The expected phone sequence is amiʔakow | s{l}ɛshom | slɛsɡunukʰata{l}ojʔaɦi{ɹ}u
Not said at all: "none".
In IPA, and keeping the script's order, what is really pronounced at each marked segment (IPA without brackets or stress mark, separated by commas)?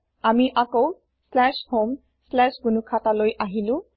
l, l, l